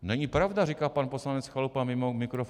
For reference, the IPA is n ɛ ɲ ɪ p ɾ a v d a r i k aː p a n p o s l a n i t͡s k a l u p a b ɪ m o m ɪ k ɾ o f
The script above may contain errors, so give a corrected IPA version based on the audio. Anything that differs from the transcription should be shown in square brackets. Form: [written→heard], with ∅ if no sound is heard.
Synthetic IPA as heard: n ɛ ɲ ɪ p ɾ a v d a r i k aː p a n p o s l a n [i→ɛ] t͡s [k→x] a l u p a [b→m] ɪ m o m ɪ k ɾ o f